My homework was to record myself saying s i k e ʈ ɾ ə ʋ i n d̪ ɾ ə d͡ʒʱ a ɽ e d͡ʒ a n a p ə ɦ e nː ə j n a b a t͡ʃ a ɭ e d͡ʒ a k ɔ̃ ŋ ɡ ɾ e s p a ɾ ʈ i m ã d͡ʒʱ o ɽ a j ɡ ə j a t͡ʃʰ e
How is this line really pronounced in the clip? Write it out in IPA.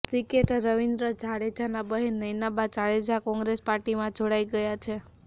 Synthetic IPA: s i k e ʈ ɾ ə ʋ i n d̪ ɾ ə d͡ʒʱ a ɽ e d͡ʒ a n a b ə ɦ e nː ə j n a b a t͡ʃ a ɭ e d͡ʒ a k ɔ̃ ŋ ɡ ɾ e s p a ɾ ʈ i m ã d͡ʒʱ o ɽ a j ɡ ə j a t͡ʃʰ e